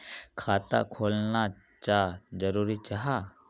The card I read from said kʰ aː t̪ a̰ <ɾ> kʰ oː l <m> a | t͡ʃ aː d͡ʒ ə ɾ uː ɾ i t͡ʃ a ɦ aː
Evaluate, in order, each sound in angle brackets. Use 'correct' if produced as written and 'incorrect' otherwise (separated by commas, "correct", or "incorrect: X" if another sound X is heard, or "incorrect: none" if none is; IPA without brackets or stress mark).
incorrect: none, incorrect: n